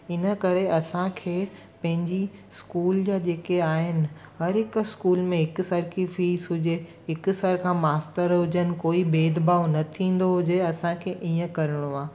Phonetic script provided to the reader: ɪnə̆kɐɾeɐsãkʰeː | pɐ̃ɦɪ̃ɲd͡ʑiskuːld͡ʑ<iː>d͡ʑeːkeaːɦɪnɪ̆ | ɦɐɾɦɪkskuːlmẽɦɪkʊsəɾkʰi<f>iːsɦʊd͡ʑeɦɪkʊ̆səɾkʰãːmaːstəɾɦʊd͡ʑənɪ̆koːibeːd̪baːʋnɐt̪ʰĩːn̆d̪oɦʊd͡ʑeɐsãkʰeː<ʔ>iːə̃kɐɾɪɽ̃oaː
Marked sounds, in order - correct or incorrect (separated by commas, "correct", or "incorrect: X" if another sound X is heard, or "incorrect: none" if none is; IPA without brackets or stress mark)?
incorrect: aː, correct, correct